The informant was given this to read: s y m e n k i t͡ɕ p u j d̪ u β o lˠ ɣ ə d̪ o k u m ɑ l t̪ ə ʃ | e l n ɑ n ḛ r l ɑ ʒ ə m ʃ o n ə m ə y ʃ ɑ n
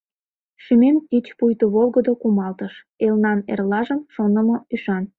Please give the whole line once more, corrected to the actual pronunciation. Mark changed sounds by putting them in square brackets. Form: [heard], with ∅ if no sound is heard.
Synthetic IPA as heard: [ʃ] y m e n k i t͡ɕ p u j [t̪] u β o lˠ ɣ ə d̪ o k u m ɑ l t̪ ə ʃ | e l n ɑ n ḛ r l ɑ ʒ ə m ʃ o n ə m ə y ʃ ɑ n